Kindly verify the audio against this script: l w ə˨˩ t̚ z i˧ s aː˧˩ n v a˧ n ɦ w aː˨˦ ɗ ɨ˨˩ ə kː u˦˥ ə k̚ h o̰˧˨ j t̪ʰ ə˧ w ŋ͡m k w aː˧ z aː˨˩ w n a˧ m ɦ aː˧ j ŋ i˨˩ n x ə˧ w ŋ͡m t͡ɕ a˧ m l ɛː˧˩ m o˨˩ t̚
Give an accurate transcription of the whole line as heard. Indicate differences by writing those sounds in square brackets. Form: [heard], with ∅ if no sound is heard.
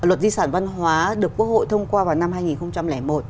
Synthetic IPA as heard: l w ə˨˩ t̚ z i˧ s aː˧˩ n v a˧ n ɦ w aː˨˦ ɗ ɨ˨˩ ə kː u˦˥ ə k̚ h o̰˧˨ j t̪ʰ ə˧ w ŋ͡m k w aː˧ [v] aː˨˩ w n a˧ m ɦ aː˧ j ŋ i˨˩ n x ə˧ w ŋ͡m t͡ɕ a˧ m l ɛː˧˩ m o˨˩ t̚